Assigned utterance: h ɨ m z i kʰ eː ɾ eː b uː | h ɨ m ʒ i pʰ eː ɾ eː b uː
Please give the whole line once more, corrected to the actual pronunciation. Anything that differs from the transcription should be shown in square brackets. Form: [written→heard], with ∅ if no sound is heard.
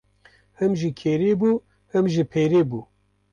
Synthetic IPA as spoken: h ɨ m [z→ʒ] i kʰ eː ɾ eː b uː | h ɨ m ʒ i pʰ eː ɾ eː b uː